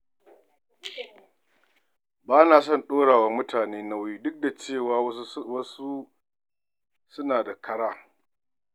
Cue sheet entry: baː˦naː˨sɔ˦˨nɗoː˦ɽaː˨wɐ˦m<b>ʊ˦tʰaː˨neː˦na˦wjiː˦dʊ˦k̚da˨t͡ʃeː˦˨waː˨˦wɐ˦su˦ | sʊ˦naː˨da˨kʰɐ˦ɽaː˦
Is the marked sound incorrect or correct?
incorrect: m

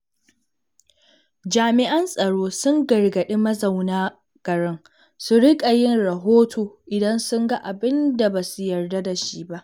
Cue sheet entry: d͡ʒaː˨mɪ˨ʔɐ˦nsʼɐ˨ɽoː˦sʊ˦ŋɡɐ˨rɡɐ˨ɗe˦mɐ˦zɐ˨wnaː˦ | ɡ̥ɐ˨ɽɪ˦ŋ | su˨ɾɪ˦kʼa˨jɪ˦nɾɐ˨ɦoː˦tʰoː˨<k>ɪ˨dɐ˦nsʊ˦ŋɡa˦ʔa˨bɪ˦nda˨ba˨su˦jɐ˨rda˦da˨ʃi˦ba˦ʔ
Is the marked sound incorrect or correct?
incorrect: ʔ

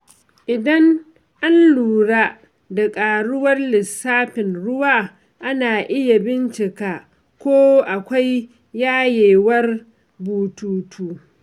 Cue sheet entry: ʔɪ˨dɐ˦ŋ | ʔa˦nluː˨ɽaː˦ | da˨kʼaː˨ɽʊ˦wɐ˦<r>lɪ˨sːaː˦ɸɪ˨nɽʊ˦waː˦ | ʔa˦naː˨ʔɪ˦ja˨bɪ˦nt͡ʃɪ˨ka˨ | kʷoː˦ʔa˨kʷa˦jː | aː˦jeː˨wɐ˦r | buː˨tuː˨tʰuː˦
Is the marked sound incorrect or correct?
correct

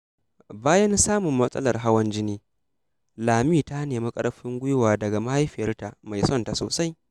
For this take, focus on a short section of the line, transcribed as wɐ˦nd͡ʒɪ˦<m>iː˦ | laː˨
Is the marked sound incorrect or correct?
incorrect: n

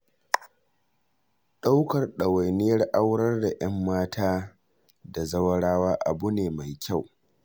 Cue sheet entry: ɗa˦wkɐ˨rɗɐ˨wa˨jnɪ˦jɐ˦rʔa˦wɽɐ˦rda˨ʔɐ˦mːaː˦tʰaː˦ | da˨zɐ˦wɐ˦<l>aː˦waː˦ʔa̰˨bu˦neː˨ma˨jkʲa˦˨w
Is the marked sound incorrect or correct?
incorrect: ɽ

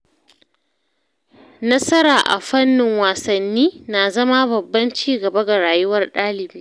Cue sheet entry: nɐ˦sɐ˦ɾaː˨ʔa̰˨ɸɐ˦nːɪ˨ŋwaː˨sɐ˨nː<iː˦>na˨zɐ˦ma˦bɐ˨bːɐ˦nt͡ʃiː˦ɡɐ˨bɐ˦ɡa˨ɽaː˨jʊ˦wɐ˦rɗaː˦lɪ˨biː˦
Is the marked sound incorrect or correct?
correct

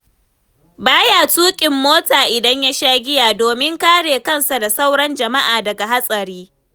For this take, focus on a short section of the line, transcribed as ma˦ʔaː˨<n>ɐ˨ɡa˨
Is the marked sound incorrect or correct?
incorrect: d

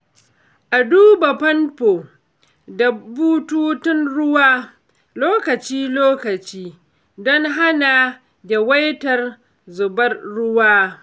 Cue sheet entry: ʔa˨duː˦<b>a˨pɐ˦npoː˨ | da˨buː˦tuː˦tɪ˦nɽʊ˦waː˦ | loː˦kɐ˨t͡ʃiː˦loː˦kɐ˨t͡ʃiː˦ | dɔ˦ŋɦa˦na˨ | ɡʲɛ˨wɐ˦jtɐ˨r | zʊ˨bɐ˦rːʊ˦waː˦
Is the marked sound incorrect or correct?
correct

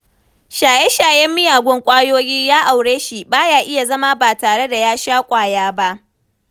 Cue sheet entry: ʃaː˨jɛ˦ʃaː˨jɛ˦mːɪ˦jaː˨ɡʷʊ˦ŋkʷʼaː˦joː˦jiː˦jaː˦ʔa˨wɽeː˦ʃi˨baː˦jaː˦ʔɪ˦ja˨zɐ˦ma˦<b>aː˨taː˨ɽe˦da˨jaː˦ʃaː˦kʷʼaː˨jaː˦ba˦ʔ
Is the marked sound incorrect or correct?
correct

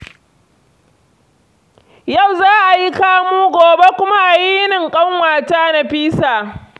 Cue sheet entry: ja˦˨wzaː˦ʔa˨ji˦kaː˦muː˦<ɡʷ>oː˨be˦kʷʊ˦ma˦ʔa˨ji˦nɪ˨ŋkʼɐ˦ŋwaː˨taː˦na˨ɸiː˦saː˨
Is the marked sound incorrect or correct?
correct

